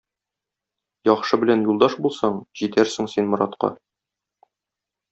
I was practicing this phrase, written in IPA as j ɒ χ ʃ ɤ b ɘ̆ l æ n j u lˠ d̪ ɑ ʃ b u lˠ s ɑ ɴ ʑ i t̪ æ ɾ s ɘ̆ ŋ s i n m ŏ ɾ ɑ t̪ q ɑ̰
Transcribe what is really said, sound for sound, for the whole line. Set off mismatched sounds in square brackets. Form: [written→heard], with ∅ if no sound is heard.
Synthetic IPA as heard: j ɒ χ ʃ ɤ b ɘ̆ l æ n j u lˠ d̪ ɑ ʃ b u lˠ s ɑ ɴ ʑ i t̪ æ ɾ s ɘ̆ ŋ s i n m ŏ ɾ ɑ t̪ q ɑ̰